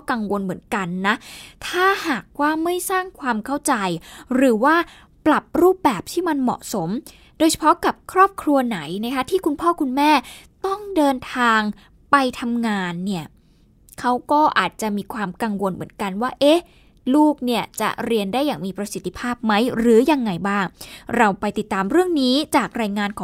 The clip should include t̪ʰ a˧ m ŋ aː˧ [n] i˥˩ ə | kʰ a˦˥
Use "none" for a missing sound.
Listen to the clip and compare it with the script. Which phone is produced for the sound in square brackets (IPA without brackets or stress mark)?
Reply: nː